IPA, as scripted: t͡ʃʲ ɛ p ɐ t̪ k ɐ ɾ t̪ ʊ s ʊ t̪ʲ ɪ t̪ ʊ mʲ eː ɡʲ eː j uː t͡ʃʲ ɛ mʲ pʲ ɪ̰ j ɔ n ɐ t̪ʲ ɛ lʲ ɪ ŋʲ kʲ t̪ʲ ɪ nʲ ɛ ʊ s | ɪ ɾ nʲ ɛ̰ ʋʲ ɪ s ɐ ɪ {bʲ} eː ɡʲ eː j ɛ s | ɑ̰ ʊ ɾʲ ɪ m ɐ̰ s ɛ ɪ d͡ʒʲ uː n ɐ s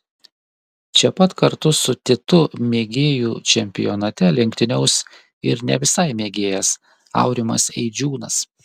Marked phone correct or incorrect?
incorrect